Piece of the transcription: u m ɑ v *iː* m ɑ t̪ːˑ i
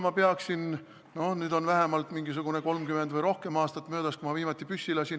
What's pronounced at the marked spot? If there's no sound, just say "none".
iː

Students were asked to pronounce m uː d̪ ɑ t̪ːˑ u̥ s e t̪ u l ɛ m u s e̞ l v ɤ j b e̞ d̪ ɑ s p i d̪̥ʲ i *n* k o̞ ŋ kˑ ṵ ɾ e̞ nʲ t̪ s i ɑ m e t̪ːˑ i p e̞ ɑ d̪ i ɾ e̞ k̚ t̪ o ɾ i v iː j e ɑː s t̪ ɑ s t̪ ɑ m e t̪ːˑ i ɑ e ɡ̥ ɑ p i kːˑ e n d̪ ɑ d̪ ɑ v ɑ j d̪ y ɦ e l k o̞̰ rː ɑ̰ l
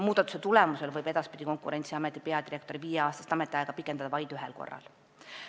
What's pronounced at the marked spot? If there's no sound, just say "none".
none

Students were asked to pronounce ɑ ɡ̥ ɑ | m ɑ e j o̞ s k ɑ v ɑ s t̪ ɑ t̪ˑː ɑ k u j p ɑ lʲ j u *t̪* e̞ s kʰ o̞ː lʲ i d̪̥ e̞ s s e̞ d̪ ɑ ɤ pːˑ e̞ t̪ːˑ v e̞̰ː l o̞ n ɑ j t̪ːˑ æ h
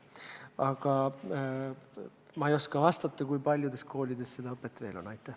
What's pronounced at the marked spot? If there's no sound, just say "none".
d̪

